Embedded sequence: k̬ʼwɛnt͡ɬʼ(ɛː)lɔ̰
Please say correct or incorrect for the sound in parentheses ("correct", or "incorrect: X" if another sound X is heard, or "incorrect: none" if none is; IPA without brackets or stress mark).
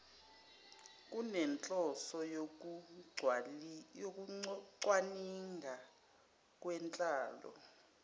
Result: incorrect: aː